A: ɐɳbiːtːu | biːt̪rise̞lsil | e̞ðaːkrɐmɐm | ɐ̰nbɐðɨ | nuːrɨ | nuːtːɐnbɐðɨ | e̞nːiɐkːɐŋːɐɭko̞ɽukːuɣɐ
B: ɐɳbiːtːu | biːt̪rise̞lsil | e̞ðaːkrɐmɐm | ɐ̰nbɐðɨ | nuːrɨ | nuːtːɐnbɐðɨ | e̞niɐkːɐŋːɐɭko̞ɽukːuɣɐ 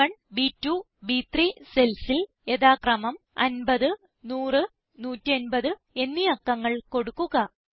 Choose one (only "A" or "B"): A